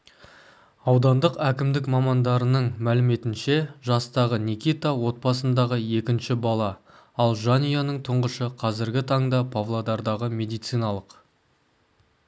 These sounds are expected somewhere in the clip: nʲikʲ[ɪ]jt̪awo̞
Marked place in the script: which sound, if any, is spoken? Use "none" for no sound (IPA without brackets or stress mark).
i